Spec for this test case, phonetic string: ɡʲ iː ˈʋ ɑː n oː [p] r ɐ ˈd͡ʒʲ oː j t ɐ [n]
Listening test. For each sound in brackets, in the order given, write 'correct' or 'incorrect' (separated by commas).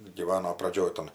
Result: correct, correct